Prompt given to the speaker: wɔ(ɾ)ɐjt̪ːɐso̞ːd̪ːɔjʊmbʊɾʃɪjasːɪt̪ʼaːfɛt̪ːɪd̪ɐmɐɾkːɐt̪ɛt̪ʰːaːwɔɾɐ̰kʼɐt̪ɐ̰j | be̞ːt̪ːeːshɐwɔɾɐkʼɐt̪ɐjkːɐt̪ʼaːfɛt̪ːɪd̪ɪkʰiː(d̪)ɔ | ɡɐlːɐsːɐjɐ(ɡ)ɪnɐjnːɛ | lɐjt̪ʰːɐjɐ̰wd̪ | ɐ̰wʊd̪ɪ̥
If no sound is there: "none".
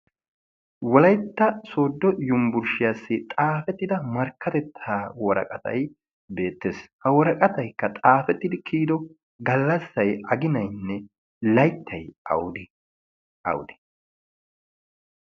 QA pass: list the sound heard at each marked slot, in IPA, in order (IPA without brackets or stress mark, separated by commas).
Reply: l, d̪, ɡ